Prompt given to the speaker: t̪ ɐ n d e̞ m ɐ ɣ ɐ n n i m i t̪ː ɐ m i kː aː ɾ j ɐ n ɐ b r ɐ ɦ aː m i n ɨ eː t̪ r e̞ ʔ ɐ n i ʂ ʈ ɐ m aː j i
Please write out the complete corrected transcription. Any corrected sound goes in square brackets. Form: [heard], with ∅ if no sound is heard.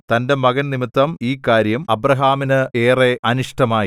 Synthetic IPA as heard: t̪ ɐ n d e̞ m ɐ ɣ ɐ n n i m i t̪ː ɐ m [iː] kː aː ɾ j ɐ [m] ɐ b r ɐ ɦ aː m i n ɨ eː [∅] r e̞ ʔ ɐ n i ʂ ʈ ɐ m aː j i